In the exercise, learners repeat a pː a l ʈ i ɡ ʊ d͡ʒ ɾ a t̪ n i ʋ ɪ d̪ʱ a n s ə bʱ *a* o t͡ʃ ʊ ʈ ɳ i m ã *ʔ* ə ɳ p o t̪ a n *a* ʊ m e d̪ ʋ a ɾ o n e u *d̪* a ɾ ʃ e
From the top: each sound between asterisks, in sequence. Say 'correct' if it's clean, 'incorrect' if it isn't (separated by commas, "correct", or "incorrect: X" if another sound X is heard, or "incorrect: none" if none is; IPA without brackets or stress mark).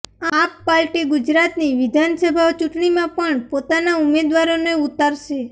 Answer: correct, incorrect: p, correct, incorrect: t̪